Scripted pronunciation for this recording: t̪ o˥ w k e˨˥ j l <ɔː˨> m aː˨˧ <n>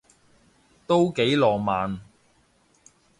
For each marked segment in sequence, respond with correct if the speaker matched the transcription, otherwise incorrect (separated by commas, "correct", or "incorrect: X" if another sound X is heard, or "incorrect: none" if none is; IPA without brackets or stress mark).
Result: correct, correct